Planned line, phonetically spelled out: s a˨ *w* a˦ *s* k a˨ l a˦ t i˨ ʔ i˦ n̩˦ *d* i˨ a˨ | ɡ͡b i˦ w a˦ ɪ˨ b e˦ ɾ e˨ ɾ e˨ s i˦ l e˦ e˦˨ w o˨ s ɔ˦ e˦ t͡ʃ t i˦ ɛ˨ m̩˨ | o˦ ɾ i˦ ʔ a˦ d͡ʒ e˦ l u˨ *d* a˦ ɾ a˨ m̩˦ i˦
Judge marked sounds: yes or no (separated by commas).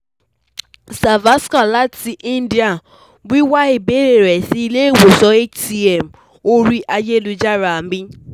no, yes, yes, no